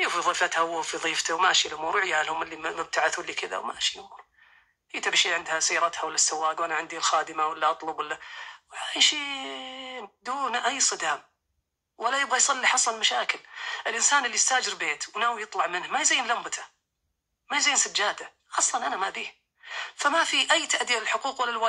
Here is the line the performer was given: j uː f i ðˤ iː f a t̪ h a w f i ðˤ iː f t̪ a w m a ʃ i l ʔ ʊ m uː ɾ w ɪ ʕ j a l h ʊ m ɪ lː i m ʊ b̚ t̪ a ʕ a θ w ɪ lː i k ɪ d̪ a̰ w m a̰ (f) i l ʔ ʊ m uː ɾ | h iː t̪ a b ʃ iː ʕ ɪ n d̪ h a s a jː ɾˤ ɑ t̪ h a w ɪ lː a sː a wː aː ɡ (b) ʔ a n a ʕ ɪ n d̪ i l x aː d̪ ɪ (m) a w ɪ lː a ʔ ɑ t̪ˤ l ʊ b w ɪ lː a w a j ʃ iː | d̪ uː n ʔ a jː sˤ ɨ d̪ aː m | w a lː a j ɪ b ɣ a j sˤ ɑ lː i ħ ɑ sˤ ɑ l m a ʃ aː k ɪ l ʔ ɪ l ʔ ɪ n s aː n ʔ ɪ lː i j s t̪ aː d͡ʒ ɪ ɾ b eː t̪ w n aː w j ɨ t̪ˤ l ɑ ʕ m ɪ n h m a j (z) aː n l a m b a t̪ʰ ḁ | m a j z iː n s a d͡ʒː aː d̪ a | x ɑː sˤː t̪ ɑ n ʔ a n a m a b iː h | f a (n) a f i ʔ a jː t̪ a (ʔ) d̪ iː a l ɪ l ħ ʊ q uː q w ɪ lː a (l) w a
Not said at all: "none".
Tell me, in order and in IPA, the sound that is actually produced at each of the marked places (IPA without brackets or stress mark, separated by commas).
ʃ, w, m, z, m, ʔ, l